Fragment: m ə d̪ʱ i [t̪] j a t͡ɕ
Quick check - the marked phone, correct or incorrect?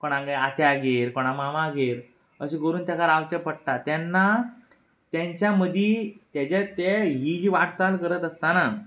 correct